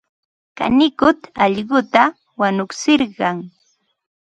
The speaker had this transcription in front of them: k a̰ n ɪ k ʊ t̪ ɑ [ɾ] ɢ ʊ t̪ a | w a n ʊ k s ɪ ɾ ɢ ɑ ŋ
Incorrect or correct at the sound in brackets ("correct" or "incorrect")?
incorrect